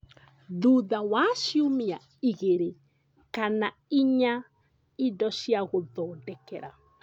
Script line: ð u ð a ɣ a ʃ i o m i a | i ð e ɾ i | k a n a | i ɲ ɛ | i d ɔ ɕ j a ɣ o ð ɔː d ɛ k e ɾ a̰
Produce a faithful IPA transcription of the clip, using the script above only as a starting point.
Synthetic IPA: ð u ð a w a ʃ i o m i a | i ɣ e ɾ e | k a n a | i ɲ a | i d ɔ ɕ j a ɣ o ð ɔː d ɛ k ɛ ɾ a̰